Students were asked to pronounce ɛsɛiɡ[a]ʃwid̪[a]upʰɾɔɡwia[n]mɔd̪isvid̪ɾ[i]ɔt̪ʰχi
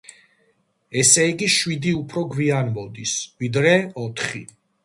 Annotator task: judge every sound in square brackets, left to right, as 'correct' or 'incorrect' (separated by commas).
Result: incorrect, incorrect, correct, incorrect